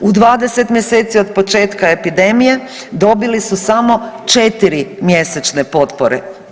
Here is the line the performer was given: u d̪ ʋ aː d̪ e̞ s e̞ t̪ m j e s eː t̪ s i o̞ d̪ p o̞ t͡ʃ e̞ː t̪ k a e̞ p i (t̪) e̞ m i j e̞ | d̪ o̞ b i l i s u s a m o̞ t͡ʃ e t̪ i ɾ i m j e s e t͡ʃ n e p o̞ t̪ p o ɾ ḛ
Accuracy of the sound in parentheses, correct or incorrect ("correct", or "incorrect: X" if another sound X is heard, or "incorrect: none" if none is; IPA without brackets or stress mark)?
incorrect: d̪